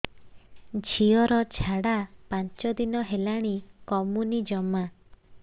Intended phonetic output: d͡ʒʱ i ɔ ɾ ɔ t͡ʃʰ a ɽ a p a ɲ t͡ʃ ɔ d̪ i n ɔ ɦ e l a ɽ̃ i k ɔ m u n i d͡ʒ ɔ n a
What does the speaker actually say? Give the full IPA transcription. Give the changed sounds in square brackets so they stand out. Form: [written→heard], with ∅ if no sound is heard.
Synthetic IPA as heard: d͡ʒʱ i ɔ ɾ ɔ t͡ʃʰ a ɽ a p a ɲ t͡ʃ ɔ d̪ i n ɔ ɦ e l a ɽ̃ i k ɔ m u n i d͡ʒ ɔ [n→m] a